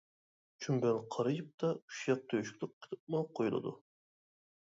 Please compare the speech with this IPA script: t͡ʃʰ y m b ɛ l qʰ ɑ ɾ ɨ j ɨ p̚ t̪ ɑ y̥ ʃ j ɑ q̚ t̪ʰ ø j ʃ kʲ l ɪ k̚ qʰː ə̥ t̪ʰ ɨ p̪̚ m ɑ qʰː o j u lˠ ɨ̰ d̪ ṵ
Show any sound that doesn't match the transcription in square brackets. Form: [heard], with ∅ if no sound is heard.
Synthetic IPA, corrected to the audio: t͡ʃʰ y m b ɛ l qʰ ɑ ɾ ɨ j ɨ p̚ t̪ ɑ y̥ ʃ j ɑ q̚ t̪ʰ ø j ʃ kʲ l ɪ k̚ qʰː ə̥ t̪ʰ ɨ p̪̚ m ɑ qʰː o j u lˠ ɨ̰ d̪ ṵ

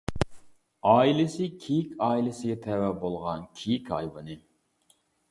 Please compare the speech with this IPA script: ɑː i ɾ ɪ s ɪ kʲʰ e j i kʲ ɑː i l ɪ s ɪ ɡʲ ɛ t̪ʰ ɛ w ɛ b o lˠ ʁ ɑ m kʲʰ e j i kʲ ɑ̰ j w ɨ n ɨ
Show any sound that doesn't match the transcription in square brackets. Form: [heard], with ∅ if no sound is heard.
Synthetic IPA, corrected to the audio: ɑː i [l] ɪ s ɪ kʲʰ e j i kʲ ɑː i l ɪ s ɪ ɡʲ ɛ t̪ʰ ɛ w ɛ b o lˠ ʁ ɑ [n] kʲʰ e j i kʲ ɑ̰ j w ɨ n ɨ

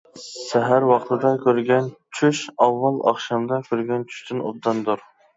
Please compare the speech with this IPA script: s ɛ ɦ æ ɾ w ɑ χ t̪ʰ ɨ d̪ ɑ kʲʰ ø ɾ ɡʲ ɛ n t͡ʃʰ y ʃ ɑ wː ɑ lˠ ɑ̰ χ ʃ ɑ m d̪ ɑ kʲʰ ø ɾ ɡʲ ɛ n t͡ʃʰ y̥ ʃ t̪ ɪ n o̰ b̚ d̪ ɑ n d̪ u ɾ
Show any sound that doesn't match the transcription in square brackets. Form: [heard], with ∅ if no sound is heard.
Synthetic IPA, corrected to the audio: s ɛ ɦ æ ɾ w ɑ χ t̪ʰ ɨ d̪ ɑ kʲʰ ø ɾ ɡʲ ɛ n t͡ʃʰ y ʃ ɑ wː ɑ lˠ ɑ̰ χ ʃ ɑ m d̪ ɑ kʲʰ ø ɾ ɡʲ ɛ n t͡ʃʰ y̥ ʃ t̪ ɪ n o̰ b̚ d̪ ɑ n d̪ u ɾ

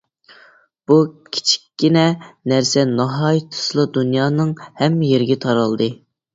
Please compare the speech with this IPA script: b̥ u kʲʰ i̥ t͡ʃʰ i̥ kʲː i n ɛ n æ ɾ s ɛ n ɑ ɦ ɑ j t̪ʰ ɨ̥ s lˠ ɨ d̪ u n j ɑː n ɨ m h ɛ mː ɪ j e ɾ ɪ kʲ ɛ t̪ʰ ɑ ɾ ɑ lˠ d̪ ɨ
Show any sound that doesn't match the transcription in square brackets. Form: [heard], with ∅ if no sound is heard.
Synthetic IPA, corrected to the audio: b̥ u kʲʰ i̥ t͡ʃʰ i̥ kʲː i n ɛ n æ ɾ s ɛ n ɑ ɦ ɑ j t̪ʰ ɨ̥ s lˠ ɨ d̪ u n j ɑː n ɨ [ŋ] h ɛ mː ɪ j e ɾ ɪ [ɡʲ] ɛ t̪ʰ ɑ ɾ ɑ lˠ d̪ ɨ

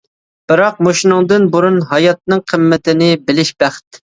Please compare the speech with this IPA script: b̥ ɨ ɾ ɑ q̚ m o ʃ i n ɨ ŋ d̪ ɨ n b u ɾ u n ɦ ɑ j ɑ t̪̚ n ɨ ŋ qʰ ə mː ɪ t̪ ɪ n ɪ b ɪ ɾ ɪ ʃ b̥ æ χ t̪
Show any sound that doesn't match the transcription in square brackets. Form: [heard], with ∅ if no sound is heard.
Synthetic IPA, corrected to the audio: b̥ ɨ ɾ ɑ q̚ m o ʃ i n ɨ ŋ d̪ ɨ n b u ɾ u n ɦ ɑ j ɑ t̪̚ n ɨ ŋ qʰ ə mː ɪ t̪ ɪ n ɪ b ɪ [l] ɪ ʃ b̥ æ χ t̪

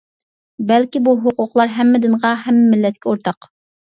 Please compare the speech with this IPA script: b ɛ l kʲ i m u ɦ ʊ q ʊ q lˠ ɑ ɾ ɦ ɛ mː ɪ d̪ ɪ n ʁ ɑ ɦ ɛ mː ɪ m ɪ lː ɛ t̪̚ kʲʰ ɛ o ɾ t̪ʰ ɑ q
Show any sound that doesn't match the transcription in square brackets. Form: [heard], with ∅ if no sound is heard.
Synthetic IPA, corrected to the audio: b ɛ l kʲ i [b] u ɦ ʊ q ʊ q lˠ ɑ ɾ ɦ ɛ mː ɪ d̪ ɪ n ʁ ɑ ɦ ɛ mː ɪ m ɪ lː ɛ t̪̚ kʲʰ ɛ o ɾ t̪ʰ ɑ q

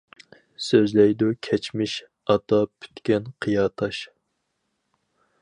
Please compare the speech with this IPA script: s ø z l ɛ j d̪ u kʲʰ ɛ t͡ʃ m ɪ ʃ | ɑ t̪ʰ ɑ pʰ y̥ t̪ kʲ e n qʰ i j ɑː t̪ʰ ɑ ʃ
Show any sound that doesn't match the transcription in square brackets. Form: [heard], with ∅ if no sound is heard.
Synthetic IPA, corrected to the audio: s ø z l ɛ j d̪ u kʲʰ ɛ t͡ʃ m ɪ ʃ | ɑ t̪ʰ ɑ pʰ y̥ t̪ kʲ [ɛ] n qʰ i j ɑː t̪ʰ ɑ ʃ

